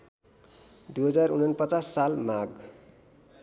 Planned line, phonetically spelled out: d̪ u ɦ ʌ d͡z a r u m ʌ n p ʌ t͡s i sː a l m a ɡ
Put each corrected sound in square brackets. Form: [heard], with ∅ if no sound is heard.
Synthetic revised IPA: d̪ u ɦ ʌ d͡z a r u [n] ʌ n p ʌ t͡s [a] sː a l m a ɡ